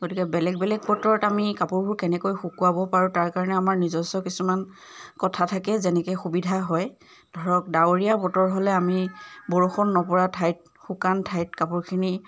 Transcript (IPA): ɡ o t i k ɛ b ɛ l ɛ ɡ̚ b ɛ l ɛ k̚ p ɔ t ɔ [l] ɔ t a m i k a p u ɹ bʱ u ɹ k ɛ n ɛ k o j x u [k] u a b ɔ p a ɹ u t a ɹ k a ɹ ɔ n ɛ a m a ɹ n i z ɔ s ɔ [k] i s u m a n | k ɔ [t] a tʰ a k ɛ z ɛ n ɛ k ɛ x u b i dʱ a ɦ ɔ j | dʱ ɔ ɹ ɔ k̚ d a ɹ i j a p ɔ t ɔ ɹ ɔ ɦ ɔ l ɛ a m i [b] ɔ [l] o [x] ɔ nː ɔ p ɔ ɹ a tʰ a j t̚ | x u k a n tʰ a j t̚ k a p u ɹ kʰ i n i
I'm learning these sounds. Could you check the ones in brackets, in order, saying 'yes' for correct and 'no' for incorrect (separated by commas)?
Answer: no, yes, yes, no, yes, no, yes